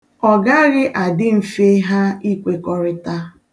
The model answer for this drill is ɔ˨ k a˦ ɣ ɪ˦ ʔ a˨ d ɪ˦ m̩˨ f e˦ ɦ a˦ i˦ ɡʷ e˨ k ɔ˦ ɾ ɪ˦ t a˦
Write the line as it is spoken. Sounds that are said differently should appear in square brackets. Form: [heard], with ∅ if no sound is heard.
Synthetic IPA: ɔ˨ [ɡ] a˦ ɣ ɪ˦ ʔ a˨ d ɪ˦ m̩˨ f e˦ ɦ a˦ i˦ [kʷ] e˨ k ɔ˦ ɾ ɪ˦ t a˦